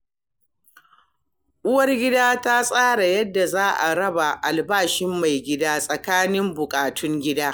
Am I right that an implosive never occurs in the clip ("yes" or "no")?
yes